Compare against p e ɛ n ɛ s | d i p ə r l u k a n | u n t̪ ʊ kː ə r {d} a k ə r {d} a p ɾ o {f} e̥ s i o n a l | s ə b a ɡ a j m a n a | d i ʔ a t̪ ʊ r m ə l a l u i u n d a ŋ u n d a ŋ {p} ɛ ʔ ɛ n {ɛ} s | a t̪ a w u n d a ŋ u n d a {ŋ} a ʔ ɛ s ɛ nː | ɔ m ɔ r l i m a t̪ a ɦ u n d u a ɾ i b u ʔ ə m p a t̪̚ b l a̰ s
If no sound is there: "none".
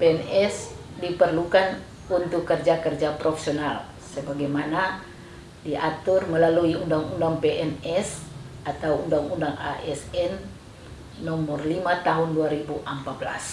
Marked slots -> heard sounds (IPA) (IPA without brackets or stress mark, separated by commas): d͡ʒ, d͡ʒ, f, p, ɛ, ŋ